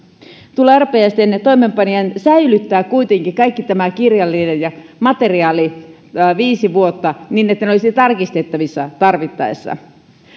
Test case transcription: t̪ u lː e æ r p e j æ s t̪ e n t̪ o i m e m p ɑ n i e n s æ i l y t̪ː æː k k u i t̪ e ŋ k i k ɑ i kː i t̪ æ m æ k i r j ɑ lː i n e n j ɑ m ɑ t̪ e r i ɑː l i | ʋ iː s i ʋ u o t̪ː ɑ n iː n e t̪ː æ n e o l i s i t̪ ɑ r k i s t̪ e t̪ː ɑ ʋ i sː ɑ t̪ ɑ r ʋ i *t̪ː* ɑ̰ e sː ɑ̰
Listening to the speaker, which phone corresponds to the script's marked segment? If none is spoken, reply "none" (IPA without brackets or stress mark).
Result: t̪ː